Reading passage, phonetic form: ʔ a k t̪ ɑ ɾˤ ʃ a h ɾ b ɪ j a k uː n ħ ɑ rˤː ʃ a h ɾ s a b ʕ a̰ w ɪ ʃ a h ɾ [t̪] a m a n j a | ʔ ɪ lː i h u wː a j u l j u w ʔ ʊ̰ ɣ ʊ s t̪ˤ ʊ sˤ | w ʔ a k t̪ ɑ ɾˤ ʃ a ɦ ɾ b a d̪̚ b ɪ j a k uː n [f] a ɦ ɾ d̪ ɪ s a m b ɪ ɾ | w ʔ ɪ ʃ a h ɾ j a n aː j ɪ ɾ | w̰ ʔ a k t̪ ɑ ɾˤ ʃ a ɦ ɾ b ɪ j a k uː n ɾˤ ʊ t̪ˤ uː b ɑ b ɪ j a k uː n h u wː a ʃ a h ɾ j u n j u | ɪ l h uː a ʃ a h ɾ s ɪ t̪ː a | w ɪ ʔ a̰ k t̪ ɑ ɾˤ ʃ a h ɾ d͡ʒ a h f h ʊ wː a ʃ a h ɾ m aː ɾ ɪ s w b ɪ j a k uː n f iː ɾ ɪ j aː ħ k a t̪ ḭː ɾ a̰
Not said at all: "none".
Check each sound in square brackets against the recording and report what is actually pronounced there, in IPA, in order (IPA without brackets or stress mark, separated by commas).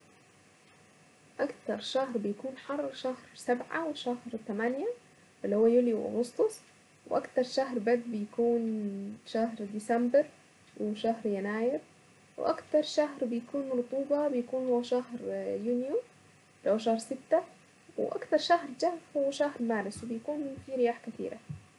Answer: t̪, ʃ